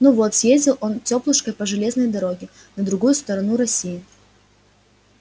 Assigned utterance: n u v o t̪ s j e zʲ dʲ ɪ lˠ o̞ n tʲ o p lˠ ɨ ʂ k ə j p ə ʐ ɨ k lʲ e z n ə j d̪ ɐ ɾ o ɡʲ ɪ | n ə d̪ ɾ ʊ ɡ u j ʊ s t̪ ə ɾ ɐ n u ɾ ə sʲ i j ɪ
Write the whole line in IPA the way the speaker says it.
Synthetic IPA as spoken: n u v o t̪ s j e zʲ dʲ ɪ lˠ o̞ n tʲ o p lˠ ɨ ʂ k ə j p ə ʐ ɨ lʲ e z n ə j d̪ ɐ ɾ o ɡʲ ɪ | n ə d̪ ɾ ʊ ɡ u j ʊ s t̪ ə ɾ ɐ n u ɾ ɐ sʲ i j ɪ